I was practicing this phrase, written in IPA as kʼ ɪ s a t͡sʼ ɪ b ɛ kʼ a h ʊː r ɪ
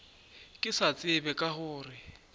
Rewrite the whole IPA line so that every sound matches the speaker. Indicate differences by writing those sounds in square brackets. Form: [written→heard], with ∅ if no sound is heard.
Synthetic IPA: kʼ ɪ s a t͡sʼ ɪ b ɛ kʼ a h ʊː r ɪ